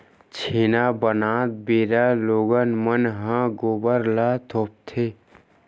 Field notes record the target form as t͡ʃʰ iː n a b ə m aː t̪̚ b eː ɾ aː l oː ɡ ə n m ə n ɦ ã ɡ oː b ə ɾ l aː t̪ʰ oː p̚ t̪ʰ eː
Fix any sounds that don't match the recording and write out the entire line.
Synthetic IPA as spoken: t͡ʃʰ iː n a b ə n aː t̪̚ b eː ɾ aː l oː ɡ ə n m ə n ɦ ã ɡ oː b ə ɾ l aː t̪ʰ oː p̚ t̪ʰ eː

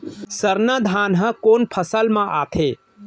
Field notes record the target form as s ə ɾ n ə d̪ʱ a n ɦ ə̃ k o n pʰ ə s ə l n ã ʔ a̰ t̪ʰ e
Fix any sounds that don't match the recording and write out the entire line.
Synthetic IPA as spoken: s ə ɾ n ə d̪ʱ a n ɦ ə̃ k o n pʰ ə s ə l m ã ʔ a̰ t̪ʰ e

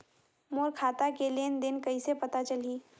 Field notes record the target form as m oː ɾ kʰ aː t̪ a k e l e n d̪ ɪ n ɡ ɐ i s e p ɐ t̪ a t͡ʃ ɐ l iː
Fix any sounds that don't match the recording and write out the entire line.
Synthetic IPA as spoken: m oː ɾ kʰ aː t̪ a k e l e n d̪ ɪ n k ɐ i s e p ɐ t̪ a t͡ʃ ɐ l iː

